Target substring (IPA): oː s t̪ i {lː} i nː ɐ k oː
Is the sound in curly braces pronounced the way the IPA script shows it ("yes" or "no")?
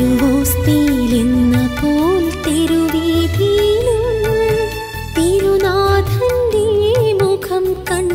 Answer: no